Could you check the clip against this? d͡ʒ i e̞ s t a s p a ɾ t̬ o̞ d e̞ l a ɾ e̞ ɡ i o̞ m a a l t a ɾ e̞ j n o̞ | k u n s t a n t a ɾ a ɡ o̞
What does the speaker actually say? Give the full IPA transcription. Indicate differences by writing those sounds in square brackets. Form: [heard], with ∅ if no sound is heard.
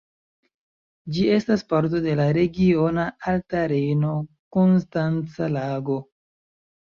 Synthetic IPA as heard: d͡ʒ i e̞ s t a s p a ɾ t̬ o̞ d e̞ l a ɾ e̞ ɡ i o̞ [n] a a l t a ɾ e̞ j n o̞ | k [o] n s t a n [t͡s] a [l] a ɡ o̞